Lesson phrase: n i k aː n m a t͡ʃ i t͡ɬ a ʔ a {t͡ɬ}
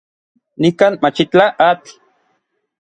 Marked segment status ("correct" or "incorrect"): correct